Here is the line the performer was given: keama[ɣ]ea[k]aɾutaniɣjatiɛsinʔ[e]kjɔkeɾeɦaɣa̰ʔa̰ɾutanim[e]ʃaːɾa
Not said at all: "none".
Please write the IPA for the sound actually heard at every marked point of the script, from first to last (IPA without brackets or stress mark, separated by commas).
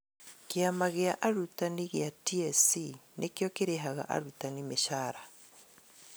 ɣ, ʔ, e, e